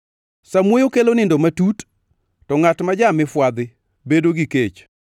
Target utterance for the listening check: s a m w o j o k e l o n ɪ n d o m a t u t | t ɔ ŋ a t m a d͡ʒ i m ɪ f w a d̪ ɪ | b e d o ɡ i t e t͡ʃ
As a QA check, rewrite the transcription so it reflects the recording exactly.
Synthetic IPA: s a m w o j o k e l o n ɪ n d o m a t u t | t ɔ ŋ a t m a d͡ʒ a m ɪ f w a d̪ ɪ | b e d o ɡ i k e t͡ʃ

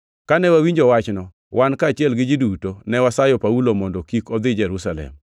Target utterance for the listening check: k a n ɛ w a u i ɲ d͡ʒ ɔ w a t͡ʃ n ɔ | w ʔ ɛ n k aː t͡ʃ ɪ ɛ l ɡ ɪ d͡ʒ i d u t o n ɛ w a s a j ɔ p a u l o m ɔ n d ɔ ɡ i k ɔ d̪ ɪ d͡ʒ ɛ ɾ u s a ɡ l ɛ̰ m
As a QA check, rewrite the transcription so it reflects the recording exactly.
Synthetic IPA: k a n ɛ w a w i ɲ d͡ʒ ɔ w a t͡ʃ n ɔ | w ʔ a n k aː t͡ʃ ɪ ɛ l ɡ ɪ d͡ʒ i d u t o n ɛ w a s a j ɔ p a u l o m ɔ n d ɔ k i k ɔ d̪ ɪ d͡ʒ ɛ ɾ u s a l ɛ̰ m

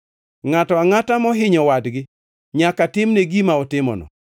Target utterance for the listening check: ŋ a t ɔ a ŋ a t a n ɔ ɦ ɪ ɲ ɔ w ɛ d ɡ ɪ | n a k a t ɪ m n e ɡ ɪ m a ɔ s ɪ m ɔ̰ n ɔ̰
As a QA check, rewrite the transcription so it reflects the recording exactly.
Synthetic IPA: ŋ a t ɔ a ŋ a t a m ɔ ɦ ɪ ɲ ɔ w a d ɡ ɪ | ɲ a k a t ɪ m n e ɡ i m a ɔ t ɪ m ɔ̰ n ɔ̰

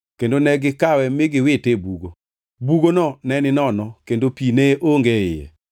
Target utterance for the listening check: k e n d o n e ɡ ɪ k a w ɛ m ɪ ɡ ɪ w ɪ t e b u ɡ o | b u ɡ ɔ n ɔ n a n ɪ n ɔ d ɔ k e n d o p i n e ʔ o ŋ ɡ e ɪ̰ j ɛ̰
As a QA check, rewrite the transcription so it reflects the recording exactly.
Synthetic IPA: k e n d o n ɛ ɡ ɪ k a w ɛ m ɪ ɡ ɪ w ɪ t e b u ɡ o | b u ɡ o n ɔ n ɛ n ɪ n ɔ n ɔ k e n d o p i n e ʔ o ŋ ɡ e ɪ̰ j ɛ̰

